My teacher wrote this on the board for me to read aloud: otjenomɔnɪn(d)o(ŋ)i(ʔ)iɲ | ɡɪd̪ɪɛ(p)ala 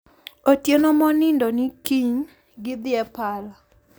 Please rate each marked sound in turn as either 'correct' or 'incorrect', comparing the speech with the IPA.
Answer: correct, incorrect: n, incorrect: k, correct

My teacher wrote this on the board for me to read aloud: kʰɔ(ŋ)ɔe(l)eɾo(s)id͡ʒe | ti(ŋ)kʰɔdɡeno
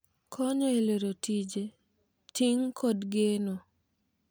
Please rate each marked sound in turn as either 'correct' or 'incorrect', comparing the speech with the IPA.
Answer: incorrect: ɲ, correct, incorrect: t, correct

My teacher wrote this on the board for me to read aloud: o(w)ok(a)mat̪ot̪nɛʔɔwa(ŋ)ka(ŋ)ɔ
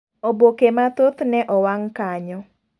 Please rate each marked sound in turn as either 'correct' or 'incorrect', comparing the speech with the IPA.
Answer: incorrect: b, incorrect: e, correct, incorrect: ɲ

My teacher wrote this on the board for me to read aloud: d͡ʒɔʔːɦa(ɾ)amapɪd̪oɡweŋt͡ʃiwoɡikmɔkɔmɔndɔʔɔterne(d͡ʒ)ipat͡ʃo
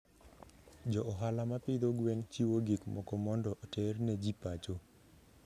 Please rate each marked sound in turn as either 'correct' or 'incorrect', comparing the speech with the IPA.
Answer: incorrect: l, correct

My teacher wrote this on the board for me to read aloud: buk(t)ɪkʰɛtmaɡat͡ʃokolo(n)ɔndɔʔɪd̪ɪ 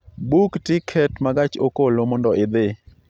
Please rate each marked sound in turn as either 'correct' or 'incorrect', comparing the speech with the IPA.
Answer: correct, incorrect: m

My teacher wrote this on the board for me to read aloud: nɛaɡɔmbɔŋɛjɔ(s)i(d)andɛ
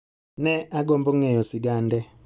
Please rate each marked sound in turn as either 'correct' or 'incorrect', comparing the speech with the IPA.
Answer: correct, incorrect: ɡ

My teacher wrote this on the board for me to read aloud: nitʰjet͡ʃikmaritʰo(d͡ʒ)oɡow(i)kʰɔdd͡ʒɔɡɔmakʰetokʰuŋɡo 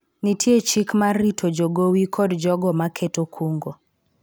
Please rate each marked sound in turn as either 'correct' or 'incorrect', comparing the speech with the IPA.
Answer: correct, correct

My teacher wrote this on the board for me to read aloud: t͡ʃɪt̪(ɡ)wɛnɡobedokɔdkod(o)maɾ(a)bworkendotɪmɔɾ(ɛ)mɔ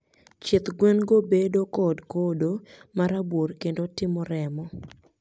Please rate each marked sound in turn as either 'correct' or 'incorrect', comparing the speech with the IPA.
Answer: correct, correct, correct, correct

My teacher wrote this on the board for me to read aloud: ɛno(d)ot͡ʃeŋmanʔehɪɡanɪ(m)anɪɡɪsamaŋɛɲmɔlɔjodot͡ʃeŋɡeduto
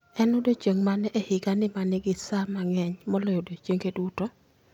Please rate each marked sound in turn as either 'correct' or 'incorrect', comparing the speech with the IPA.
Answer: correct, correct

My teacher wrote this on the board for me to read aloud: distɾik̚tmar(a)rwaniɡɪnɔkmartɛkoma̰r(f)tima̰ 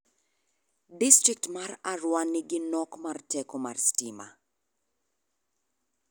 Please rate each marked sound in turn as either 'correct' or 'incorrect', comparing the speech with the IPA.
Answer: correct, incorrect: s

